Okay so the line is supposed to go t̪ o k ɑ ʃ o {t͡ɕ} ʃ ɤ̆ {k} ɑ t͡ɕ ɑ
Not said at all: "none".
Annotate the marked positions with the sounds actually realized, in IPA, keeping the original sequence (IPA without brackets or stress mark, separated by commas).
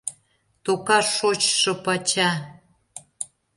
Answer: t͡ɕ, p